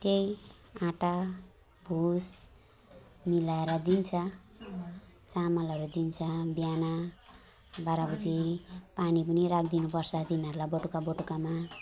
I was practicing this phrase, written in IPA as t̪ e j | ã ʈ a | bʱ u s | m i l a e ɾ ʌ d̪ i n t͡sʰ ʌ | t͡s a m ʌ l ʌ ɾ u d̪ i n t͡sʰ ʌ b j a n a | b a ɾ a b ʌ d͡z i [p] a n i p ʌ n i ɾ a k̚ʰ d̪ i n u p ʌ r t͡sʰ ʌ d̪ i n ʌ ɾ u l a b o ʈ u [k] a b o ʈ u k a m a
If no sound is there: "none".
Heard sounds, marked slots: p, k

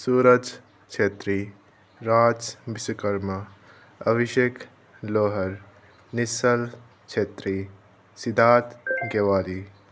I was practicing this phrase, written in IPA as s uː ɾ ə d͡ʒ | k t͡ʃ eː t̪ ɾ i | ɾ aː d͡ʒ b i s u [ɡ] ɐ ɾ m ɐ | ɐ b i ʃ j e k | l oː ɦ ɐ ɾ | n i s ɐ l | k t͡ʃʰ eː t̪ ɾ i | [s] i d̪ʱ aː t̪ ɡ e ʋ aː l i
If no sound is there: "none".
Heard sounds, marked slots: k, s

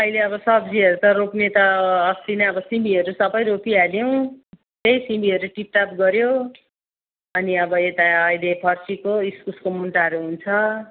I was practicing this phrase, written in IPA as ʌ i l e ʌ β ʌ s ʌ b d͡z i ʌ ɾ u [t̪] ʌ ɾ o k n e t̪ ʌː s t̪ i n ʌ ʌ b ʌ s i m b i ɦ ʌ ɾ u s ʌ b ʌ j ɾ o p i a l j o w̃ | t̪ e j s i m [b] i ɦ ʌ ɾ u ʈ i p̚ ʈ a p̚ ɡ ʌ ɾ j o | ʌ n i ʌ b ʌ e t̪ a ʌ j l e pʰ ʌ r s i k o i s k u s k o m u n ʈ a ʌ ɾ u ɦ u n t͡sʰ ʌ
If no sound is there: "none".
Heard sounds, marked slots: t̪, b

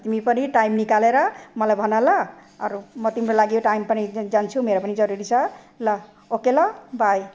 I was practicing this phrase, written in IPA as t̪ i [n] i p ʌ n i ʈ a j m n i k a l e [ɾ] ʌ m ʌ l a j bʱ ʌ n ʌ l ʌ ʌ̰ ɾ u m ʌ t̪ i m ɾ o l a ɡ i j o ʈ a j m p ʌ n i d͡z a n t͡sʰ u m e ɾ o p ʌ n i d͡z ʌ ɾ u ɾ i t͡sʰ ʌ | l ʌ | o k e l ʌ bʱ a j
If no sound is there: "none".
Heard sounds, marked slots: m, ɾ

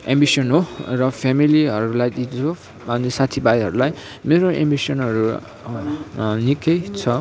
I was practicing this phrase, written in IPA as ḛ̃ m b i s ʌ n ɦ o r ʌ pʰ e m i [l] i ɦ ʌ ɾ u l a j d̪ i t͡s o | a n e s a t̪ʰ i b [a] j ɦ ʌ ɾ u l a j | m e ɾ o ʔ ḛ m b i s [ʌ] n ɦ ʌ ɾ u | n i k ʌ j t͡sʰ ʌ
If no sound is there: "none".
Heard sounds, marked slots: l, a, ʌ

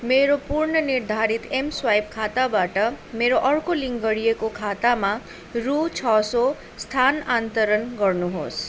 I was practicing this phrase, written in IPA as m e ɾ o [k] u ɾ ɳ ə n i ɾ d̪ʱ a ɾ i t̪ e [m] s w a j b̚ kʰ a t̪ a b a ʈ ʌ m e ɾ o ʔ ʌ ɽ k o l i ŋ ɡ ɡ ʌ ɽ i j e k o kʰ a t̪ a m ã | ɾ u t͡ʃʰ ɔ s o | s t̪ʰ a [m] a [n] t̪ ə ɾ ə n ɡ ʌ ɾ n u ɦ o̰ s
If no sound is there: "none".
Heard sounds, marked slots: p, m, n, n

